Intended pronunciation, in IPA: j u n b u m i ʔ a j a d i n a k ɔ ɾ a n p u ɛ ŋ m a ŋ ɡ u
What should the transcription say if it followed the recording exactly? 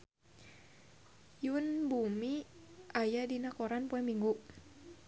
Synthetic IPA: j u n b u m i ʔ a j a d i n a k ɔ ɾ a n p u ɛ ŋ m i ŋ ɡ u

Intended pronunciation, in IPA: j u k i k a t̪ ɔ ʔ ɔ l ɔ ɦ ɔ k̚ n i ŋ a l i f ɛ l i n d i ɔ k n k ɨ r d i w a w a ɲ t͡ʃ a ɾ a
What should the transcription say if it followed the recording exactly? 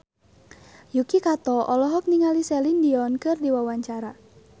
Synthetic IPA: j u k i k a t̪ ɔ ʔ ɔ l ɔ ɦ ɔ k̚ n i ŋ a l i s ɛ l i n d i ɔ n k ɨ r d i w a w a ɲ t͡ʃ a ɾ a

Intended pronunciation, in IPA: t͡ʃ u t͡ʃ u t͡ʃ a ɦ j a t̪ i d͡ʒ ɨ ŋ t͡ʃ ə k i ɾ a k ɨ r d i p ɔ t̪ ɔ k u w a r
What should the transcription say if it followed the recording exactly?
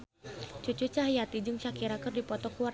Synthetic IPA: t͡ʃ u t͡ʃ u t͡ʃ a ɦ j a t̪ i d͡ʒ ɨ ŋ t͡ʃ a k i ɾ a k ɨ r d i p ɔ t̪ ɔ k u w a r

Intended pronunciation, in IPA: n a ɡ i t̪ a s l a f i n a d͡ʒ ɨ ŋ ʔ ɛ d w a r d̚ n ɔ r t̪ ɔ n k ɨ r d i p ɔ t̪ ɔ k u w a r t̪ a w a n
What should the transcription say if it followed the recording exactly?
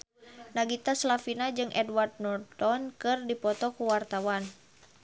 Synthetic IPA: n a ɡ i t̪ a s l a f i n a d͡ʒ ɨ ŋ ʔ ɛ d w a r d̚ n ɔ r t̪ ɔ n k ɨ r d i p ɔ t̪ ɔ k u w a r t̪ a w a n

